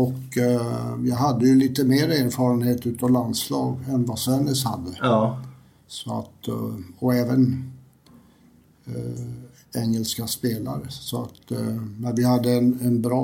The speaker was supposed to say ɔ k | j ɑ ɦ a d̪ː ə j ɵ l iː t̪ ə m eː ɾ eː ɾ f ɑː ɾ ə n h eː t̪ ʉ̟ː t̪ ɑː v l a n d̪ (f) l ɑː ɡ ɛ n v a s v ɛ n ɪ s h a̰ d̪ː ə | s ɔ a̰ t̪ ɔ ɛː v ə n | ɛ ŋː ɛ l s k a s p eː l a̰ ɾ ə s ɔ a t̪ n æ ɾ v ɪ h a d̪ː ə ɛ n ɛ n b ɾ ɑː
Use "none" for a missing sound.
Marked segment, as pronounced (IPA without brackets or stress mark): s